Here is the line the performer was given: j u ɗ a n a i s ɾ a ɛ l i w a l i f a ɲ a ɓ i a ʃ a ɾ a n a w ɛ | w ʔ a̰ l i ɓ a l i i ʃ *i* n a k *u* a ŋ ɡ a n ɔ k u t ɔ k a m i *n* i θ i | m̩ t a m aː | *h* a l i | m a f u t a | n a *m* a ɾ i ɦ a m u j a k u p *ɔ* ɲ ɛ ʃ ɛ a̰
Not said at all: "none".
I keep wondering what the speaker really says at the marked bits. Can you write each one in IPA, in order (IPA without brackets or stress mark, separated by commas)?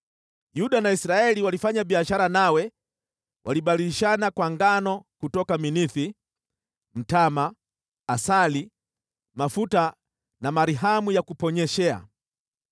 a, w, n, s, m, ɔ